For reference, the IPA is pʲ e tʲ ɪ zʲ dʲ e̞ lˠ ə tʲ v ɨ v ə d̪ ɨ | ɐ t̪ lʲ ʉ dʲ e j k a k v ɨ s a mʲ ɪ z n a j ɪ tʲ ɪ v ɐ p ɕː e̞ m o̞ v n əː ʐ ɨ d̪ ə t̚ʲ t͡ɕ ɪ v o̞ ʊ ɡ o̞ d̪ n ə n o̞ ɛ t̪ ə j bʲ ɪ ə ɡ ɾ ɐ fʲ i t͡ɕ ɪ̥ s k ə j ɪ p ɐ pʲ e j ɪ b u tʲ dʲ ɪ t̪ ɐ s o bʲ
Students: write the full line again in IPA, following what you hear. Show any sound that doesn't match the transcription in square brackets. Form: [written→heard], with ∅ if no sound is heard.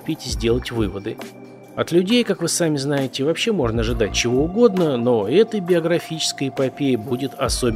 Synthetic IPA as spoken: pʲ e tʲ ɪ zʲ dʲ e̞ lˠ ə tʲ v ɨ v ə d̪ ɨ | ɐ t̪ lʲ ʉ dʲ e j k a k v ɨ s a mʲ ɪ z n a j ɪ tʲ ɪ v ɐ p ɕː e̞ m o̞ [v→ʐ] n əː ʐ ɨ d̪ [ə→a] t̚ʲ t͡ɕ ɪ v o̞ ʊ ɡ o̞ d̪ n ə n o̞ ɛ t̪ ə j bʲ ɪ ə ɡ ɾ ɐ fʲ i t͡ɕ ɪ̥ s k ə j ɪ p ɐ pʲ e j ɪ b u [tʲ→∅] dʲ ɪ t̪ ɐ s o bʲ